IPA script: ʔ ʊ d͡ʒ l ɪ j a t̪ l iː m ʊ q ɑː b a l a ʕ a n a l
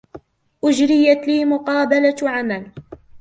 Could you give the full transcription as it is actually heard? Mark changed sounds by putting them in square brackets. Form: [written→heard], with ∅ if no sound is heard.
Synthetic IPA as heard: ʔ ʊ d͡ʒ [l→ɾ] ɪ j a t̪ l iː m ʊ q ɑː b a l a ʕ a [n→m] a l